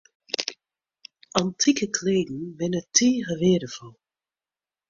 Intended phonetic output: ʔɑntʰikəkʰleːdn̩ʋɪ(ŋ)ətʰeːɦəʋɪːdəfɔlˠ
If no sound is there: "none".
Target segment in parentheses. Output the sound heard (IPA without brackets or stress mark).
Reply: n